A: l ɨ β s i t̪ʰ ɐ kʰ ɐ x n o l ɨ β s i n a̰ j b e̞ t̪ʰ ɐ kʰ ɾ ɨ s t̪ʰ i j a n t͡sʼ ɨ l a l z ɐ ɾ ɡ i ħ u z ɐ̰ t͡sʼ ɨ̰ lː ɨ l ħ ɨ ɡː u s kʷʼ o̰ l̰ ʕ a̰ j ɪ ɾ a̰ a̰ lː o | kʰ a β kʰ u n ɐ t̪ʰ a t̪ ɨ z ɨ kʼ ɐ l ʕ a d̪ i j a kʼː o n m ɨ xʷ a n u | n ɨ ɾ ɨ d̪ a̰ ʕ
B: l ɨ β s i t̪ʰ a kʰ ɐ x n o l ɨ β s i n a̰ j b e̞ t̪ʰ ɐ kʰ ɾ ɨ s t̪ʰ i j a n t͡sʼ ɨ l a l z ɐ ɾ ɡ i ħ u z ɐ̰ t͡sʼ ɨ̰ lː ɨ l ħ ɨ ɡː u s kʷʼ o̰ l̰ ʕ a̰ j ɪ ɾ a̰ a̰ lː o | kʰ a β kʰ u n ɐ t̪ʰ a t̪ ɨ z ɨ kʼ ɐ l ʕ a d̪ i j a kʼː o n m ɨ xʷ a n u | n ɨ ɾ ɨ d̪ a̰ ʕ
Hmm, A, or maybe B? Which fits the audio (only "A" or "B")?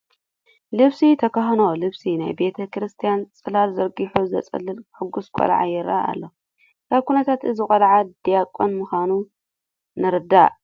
A